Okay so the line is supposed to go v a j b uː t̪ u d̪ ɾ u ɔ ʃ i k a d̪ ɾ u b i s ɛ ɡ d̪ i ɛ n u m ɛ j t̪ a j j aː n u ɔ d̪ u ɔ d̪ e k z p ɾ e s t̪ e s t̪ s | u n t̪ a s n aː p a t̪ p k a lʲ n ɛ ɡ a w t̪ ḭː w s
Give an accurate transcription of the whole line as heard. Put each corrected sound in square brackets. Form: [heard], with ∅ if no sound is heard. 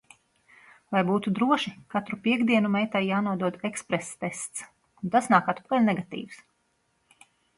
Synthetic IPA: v a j b uː t̪ u d̪ ɾ u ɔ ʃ i k a [t̪] ɾ u [p] i [∅] ɛ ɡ d̪ i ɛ n u m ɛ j t̪ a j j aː n u ɔ d̪ u ɔ d̪ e k [s] p ɾ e s t̪ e s t̪ s | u n t̪ a s n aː [k] a t̪ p k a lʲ n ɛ ɡ a [∅] t̪ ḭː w s